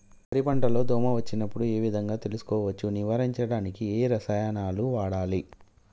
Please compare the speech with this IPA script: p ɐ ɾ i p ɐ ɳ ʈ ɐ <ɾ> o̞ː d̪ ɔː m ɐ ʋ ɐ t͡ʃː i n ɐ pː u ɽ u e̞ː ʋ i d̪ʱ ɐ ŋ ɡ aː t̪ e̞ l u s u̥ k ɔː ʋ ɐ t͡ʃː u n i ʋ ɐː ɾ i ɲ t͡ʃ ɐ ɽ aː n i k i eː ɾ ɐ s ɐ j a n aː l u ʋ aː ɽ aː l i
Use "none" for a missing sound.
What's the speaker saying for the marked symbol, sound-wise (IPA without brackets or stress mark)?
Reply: l